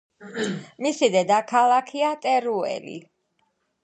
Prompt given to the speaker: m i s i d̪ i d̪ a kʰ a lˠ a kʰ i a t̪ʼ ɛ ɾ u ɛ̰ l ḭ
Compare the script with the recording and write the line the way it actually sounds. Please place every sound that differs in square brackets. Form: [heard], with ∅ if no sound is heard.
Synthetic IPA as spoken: m i s i d̪ [ɛ] d̪ a kʰ a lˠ a kʰ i a t̪ʼ ɛ ɾ u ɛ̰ l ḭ